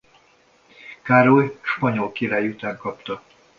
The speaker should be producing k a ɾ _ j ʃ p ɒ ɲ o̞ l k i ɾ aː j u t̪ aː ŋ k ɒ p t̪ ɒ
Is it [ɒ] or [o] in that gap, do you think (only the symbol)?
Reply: o